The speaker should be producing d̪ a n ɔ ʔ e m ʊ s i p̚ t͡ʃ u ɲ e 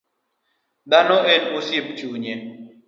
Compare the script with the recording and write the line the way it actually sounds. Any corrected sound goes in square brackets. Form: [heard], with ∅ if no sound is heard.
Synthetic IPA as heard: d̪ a n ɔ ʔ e [n] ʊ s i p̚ t͡ʃ u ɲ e